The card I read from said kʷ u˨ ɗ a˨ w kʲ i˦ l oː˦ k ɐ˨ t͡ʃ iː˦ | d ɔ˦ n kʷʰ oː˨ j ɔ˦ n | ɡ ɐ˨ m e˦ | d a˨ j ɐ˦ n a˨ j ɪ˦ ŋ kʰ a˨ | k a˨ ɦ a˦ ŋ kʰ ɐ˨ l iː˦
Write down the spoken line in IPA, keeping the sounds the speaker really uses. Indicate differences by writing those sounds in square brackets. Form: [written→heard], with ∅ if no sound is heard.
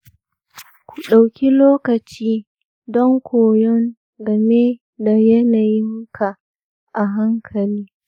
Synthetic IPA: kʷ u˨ ɗ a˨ w kʲ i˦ l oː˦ k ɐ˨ t͡ʃ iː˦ | d ɔ˦ [n→ŋ] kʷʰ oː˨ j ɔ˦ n | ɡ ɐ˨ m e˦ | d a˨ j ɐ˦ n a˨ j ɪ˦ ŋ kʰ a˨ | [k→ʔ] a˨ ɦ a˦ ŋ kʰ ɐ˨ l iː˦